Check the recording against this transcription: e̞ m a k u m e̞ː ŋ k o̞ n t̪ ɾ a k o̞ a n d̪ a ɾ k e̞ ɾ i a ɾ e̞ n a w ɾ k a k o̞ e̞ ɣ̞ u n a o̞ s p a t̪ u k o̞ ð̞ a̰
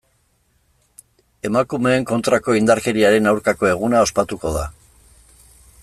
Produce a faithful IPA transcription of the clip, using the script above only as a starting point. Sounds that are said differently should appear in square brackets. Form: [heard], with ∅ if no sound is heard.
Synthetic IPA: e̞ m a k u m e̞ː ŋ k o̞ n t̪ ɾ a k o̞ [i] n d̪ a ɾ k e̞ ɾ i a ɾ e̞ n a w ɾ k a k o̞ e̞ ɣ̞ u n a o̞ s p a t̪ u k o̞ ð̞ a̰